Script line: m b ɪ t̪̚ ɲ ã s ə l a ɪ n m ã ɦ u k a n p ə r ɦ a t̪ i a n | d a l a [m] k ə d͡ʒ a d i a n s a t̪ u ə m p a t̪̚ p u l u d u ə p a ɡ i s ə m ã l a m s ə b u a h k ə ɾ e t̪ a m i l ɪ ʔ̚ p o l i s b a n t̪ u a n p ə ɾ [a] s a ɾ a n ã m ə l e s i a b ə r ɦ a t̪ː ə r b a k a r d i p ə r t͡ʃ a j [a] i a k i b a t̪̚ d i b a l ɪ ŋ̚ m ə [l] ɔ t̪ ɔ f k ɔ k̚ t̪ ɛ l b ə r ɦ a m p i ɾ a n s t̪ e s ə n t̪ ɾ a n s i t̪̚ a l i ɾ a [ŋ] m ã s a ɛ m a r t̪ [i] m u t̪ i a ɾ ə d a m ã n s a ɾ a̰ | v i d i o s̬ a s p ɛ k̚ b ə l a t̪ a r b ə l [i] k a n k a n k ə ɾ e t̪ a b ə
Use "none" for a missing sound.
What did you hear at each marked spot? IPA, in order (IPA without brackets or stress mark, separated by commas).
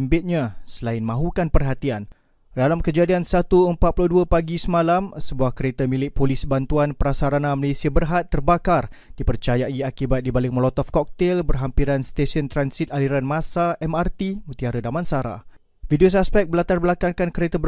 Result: m, a, a, l, n, i, a